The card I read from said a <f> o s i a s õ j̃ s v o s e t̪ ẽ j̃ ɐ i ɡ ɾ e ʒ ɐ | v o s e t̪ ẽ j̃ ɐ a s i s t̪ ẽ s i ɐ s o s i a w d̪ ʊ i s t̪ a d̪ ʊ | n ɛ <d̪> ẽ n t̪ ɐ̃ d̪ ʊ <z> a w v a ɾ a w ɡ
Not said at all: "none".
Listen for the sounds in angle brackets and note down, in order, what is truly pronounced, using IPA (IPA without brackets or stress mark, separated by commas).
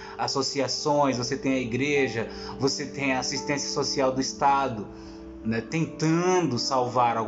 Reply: s, t̪, s